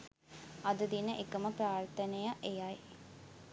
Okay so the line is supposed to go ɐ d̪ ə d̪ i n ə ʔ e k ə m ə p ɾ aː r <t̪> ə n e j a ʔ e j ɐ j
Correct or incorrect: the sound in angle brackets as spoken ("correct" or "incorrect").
correct